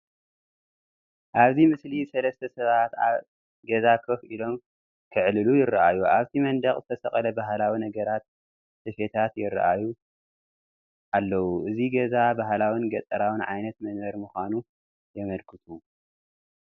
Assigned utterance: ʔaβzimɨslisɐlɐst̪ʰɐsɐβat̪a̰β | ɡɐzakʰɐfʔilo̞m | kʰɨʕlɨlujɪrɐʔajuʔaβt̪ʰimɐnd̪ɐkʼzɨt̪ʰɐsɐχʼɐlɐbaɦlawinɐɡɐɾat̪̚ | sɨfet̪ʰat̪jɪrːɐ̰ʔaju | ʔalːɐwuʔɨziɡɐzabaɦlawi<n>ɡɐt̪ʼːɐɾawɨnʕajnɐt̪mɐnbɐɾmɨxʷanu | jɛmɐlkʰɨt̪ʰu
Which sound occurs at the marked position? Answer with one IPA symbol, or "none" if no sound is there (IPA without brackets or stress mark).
n